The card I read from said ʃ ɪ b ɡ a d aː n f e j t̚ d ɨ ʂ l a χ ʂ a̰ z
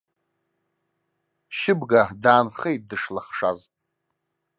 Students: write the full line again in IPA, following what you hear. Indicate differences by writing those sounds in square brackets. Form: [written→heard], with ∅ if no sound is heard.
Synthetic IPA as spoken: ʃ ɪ b ɡ a d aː n [f→χ] e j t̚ d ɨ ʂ l a χ ʂ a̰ z